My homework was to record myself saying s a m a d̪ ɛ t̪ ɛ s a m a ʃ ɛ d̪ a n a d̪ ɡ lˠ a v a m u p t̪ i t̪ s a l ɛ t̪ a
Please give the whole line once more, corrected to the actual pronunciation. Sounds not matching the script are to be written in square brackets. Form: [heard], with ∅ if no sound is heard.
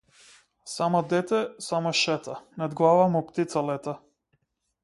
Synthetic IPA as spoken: s a m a d̪ ɛ t̪ ɛ s a m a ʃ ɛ [t̪] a n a d̪ ɡ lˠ a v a m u p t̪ i t̪ s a l ɛ t̪ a